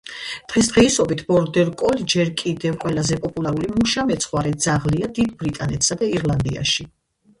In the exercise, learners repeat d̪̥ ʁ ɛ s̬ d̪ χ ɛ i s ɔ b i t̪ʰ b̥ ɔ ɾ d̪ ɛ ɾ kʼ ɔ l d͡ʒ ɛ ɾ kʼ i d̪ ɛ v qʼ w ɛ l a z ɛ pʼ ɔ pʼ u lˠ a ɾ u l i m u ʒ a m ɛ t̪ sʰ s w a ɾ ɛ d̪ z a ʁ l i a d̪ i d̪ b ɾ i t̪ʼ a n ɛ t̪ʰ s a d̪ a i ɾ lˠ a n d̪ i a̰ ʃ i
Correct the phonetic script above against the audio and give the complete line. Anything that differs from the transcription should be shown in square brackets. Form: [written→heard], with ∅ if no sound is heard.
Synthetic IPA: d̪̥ ʁ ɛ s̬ d̪ [χ→ʁ] ɛ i s ɔ b i t̪ʰ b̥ ɔ ɾ d̪ ɛ ɾ kʼ ɔ l d͡ʒ ɛ ɾ kʼ i d̪ ɛ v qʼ w ɛ l a z ɛ pʼ ɔ pʼ u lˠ a ɾ u l i m u [ʒ→ʃ] a m ɛ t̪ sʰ [s→χ] w a ɾ ɛ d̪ z a ʁ l i a d̪ i d̪ b ɾ i t̪ʼ a n ɛ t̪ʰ s a d̪ a i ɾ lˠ a n d̪ i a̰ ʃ i

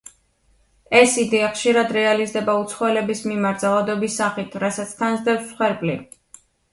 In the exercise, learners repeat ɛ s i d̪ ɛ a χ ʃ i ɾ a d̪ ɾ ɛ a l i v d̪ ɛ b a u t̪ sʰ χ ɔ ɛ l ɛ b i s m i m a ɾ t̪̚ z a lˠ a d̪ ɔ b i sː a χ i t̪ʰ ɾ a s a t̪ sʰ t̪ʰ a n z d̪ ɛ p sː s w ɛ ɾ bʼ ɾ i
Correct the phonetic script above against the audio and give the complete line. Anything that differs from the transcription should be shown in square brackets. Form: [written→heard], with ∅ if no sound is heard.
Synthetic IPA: ɛ s i d̪ ɛ a χ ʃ i ɾ a d̪ ɾ ɛ a l i [v→z] d̪ ɛ b a u t̪ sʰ χ ɔ ɛ l ɛ b i s m i m a ɾ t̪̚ z a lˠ a d̪ ɔ b i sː a χ i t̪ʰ ɾ a s a t̪ sʰ t̪ʰ a n z d̪ ɛ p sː [s→χ] w ɛ ɾ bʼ [ɾ→l] i

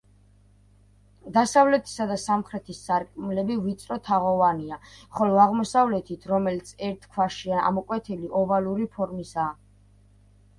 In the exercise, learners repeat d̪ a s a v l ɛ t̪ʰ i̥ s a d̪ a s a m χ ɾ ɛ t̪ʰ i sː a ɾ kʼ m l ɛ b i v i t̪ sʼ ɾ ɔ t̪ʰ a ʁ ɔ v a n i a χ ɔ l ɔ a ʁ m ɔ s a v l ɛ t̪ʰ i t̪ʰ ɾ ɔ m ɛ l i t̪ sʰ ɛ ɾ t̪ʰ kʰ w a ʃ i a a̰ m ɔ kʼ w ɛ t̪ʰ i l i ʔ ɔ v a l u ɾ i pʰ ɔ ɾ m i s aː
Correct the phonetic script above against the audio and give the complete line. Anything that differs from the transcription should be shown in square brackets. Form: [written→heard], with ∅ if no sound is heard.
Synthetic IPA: d̪ a s a v l ɛ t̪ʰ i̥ s a d̪ a s a m χ ɾ ɛ t̪ʰ i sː a ɾ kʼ m l ɛ b i v i t̪ sʼ ɾ ɔ t̪ʰ a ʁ ɔ v a n i a χ ɔ l ɔ a ʁ m ɔ s a v l ɛ t̪ʰ i t̪ʰ ɾ ɔ m ɛ l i t̪ sʰ ɛ ɾ t̪ʰ kʰ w a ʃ i a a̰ m ɔ kʼ w ɛ t̪ʰ i l i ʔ ɔ v a l u ɾ i pʰ ɔ ɾ m i s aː

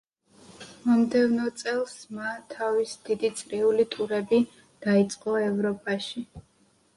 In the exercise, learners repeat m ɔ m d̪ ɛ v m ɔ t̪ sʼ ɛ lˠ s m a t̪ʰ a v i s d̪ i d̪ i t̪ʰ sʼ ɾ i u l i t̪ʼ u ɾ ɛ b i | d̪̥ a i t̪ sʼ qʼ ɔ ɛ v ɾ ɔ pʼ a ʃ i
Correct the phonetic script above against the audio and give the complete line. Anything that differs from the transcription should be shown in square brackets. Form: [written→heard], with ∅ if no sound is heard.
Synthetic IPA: m ɔ m d̪ ɛ v [m→n] ɔ t̪ sʼ ɛ lˠ s m a t̪ʰ a v i s d̪ i d̪ i [t̪ʰ→t̪] sʼ ɾ i u l i t̪ʼ u ɾ ɛ b i | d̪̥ a i t̪ sʼ qʼ ɔ ɛ v ɾ ɔ pʼ a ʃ i

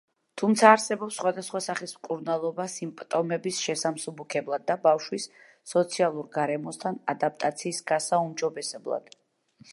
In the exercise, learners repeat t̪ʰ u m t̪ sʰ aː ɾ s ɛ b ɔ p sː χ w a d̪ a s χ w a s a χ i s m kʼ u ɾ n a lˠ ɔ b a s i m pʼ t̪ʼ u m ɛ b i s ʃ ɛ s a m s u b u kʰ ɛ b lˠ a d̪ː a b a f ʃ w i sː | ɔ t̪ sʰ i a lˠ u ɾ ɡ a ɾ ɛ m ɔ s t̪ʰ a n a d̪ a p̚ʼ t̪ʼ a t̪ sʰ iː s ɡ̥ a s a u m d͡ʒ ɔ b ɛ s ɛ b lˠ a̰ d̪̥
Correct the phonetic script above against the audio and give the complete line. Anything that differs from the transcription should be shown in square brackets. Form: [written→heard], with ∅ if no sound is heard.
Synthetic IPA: t̪ʰ u m t̪ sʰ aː ɾ s ɛ b ɔ p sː χ w a d̪ a s χ w a s a χ i s m kʼ u ɾ n a lˠ ɔ b a s i m pʼ t̪ʼ [u→ɔ] m ɛ b i s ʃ ɛ s a m s u b u kʰ ɛ b lˠ a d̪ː a b a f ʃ w i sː | ɔ t̪ sʰ i a lˠ u ɾ ɡ a ɾ ɛ m ɔ s t̪ʰ a n a d̪ a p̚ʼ t̪ʼ a t̪ sʰ iː s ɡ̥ a s a u m d͡ʒ ɔ b ɛ s ɛ b lˠ a̰ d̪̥

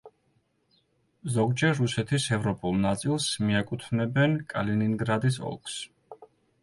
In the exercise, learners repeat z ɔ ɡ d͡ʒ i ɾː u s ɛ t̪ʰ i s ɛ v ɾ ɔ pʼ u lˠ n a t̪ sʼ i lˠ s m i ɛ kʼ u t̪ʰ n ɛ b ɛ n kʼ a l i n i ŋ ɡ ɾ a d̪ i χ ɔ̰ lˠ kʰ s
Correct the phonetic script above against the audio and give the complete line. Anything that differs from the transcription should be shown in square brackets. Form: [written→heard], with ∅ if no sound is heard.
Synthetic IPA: z ɔ ɡ d͡ʒ [i→ɛ] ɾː u s ɛ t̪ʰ i s ɛ v ɾ ɔ pʼ u lˠ n a t̪ sʼ i lˠ s m i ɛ kʼ u t̪ʰ n ɛ b ɛ n kʼ a l i n i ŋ ɡ ɾ a d̪ i [χ→s] ɔ̰ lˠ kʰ s

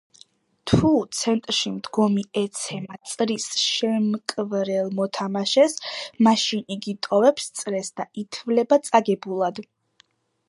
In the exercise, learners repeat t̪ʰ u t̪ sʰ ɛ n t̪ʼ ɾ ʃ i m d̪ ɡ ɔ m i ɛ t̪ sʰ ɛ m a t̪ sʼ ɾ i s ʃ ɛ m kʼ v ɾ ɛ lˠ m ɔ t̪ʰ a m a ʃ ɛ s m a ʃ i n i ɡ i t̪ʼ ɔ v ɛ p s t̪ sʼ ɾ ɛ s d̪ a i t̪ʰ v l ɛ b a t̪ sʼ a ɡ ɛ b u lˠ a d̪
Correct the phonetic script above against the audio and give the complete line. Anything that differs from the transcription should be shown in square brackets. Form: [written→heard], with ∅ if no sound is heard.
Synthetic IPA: t̪ʰ u t̪ sʰ ɛ n t̪ʼ ɾ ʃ i m d̪ ɡ ɔ m i ɛ t̪ sʰ ɛ m a t̪ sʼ ɾ i s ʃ ɛ m kʼ v ɾ ɛ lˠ m ɔ t̪ʰ a m a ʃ ɛ s m a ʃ i n i ɡ i t̪ʼ ɔ v ɛ p s t̪ sʼ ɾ ɛ s d̪ a i t̪ʰ v l ɛ b a t̪ sʼ a ɡ ɛ b u lˠ a d̪

